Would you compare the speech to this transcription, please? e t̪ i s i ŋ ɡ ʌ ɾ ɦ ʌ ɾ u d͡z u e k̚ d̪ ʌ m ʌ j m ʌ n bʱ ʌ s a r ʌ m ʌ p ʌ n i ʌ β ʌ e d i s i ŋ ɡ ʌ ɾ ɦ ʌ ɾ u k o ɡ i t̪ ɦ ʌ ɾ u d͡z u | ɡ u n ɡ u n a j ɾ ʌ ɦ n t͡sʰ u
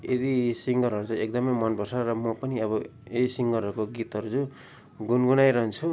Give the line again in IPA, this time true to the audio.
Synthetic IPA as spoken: e d̪ i s i ŋ ɡ ʌ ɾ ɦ ʌ ɾ u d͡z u e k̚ d̪ ʌ m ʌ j m ʌ n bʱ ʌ s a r ʌ m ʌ p ʌ n i ʌ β ʌ e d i s i ŋ ɡ ʌ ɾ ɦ ʌ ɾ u k o ɡ i t̪ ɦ ʌ ɾ u d͡z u | ɡ u n ɡ u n a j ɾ ʌ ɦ n t͡sʰ u